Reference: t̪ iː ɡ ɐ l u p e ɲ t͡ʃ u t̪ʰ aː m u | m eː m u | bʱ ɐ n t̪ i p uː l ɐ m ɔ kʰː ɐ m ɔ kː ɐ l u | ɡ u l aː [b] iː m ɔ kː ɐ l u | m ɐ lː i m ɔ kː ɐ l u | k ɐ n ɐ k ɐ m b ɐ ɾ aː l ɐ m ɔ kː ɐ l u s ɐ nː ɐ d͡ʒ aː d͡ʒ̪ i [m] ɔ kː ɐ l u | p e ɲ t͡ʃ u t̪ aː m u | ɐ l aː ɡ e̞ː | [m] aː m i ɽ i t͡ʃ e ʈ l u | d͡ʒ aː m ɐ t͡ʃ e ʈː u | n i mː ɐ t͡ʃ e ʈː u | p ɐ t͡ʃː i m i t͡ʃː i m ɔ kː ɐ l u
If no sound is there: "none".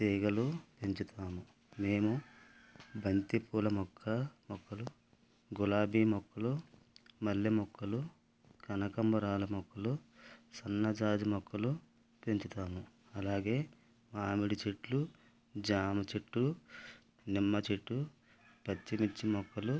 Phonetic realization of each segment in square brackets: b, m, m

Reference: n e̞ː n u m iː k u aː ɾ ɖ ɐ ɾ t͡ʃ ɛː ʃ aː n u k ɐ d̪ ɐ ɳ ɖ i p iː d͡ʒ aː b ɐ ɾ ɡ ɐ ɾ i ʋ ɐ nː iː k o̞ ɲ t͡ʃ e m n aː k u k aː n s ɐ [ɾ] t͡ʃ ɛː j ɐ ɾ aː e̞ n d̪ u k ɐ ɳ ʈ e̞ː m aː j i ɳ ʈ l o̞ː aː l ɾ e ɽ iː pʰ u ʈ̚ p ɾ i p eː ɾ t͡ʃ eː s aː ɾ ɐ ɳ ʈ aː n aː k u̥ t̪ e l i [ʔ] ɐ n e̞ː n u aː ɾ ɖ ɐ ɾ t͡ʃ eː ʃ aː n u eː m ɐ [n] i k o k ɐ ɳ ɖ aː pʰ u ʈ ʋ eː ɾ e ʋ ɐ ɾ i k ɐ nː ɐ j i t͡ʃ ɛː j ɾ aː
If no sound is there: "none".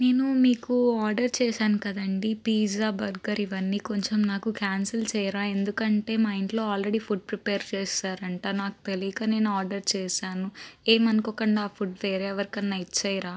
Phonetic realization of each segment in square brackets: l, k, n

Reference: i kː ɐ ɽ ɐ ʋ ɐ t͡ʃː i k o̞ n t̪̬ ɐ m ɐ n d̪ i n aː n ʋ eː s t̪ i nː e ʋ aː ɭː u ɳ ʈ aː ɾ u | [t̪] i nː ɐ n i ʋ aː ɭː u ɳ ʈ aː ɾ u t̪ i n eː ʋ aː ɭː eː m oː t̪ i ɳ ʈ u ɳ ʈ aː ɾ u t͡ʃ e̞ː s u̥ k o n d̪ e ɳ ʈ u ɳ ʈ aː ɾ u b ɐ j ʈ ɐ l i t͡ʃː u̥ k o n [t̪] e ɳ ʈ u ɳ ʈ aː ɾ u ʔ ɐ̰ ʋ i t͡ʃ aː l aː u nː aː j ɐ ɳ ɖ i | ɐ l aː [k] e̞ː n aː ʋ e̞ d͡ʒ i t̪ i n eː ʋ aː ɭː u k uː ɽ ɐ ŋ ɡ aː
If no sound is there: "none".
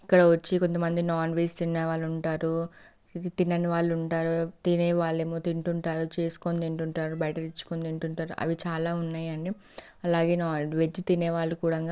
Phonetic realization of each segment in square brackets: t̪, d̪, ɡ

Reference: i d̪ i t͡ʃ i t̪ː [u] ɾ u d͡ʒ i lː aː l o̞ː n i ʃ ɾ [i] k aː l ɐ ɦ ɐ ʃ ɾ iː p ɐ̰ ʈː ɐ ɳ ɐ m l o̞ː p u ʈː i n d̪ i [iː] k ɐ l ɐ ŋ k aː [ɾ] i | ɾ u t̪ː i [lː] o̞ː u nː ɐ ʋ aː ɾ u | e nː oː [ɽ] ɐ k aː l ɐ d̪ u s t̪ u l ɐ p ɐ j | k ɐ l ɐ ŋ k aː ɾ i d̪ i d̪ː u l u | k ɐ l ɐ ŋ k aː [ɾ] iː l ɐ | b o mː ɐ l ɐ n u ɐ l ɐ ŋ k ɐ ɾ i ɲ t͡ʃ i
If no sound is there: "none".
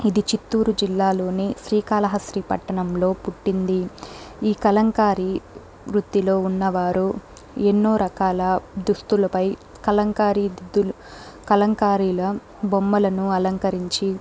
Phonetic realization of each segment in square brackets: uː, iː, iː, ɾ, l, ɾ, ɾ

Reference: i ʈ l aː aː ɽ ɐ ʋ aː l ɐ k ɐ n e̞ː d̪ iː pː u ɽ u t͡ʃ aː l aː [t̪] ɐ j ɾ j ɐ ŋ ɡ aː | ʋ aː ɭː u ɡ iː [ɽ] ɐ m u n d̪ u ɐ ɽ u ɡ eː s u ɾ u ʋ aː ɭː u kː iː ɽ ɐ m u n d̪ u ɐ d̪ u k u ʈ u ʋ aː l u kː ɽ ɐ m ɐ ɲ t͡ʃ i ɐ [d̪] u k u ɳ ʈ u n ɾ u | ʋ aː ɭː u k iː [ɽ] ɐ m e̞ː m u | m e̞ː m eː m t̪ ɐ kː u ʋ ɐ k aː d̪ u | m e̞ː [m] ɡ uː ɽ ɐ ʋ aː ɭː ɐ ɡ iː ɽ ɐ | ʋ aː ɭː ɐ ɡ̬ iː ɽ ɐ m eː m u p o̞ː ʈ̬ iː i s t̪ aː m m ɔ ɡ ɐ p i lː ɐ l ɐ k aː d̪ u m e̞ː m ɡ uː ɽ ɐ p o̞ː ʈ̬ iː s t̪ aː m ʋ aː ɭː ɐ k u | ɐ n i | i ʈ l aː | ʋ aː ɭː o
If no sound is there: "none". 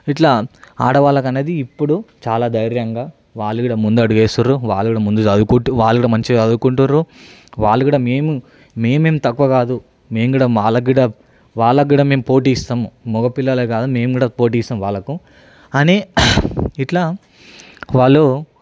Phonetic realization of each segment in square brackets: d̪, ɽ, d̪, ɽ, m

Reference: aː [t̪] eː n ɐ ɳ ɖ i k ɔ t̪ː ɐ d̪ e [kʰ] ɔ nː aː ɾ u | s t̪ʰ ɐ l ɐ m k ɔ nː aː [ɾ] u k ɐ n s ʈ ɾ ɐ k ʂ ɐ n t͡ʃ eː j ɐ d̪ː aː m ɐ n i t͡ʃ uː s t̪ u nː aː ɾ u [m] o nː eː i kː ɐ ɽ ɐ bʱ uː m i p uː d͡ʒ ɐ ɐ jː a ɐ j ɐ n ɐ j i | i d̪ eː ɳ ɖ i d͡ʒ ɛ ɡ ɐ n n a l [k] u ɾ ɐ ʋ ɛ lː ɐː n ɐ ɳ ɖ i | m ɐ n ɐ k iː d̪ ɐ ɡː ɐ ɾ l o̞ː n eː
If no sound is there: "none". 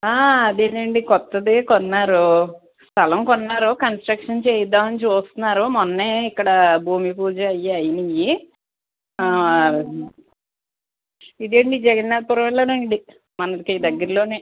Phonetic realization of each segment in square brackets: d̪, k, ɾ, m, p

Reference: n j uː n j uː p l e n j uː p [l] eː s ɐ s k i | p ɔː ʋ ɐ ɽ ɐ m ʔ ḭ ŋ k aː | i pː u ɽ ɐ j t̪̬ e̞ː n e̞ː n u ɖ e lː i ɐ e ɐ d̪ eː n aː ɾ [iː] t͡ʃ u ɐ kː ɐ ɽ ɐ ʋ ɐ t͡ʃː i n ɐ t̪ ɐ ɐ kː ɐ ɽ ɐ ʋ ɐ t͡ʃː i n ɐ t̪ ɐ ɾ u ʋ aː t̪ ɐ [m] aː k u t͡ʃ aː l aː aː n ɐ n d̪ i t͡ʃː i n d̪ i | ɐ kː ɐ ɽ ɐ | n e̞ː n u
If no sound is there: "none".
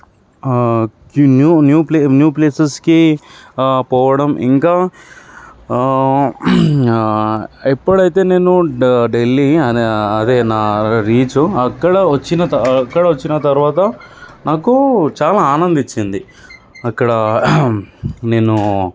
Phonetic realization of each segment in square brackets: l, iː, n

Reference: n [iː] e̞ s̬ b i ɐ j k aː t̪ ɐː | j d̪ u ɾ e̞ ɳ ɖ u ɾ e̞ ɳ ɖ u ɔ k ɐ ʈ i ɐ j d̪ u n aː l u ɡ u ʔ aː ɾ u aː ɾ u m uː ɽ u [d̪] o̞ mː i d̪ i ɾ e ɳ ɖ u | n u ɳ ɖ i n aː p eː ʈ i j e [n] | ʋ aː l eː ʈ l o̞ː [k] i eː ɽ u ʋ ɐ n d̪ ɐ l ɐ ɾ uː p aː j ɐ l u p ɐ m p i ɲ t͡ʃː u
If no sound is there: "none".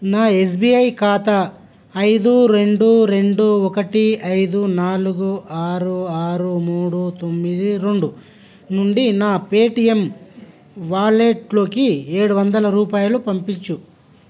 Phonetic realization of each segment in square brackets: aː, t̪, m, k

